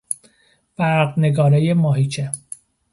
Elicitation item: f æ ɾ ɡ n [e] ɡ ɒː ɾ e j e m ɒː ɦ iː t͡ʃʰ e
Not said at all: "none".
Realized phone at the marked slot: e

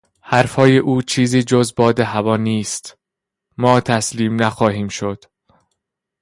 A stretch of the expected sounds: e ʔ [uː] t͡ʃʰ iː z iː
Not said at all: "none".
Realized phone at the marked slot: uː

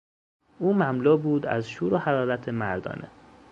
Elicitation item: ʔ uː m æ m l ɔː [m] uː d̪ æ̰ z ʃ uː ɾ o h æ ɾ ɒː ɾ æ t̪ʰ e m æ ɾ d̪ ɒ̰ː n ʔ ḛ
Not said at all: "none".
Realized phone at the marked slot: b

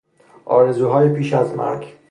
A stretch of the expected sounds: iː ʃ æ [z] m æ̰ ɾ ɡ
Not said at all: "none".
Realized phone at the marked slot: z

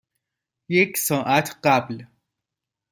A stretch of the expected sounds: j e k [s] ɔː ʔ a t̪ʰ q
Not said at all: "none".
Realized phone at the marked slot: s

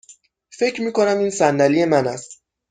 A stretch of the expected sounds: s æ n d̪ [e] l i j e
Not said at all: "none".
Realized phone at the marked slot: æ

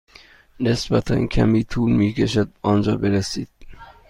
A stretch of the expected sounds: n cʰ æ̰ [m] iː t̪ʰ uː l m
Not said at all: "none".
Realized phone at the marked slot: m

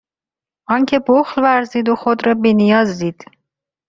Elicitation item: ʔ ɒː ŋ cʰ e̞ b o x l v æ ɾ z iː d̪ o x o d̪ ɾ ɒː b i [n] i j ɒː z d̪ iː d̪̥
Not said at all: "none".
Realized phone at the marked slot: n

